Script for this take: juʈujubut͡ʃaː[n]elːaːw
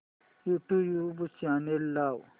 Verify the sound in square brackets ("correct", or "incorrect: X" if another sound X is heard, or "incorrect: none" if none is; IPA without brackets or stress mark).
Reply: correct